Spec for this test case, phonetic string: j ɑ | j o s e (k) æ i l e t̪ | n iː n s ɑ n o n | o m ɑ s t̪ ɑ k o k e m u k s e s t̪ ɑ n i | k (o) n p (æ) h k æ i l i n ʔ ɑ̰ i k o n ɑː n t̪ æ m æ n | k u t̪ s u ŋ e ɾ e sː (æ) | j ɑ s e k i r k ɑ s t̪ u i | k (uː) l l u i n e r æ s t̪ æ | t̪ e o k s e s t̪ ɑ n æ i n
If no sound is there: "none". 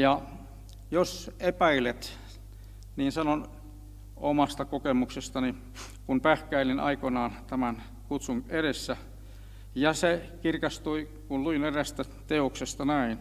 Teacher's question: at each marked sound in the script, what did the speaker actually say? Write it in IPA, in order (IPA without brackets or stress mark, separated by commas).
p, u, æ, æ, u